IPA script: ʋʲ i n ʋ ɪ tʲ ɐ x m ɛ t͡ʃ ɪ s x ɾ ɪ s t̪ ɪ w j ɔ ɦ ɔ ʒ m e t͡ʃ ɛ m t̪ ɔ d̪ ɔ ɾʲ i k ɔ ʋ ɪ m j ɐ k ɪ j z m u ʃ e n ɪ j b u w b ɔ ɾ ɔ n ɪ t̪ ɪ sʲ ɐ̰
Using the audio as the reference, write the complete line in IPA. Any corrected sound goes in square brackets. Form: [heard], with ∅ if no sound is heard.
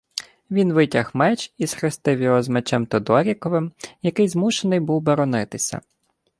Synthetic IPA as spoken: ʋʲ i n ʋ ɪ tʲ ɐ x m ɛ t͡ʃ [i] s x ɾ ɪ s t̪ ɪ w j ɔ ɦ ɔ [z] m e t͡ʃ ɛ m t̪ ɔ d̪ ɔ ɾʲ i k ɔ ʋ ɪ m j ɐ k ɪ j z m u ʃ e n ɪ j b u w b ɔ ɾ ɔ n ɪ t̪ ɪ sʲ ɐ̰